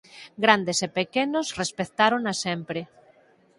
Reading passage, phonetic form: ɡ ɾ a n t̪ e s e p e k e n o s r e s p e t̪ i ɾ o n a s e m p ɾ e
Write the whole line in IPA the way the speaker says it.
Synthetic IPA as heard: ɡ ɾ a n d̪ e s e p e k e n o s r e s p e t̪ a ɾ o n a s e m p ɾ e